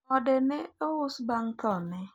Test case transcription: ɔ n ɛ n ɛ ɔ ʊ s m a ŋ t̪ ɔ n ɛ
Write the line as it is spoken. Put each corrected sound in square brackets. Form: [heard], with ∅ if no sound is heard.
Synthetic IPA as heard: ɔ [d] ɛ n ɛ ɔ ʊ s [b] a ŋ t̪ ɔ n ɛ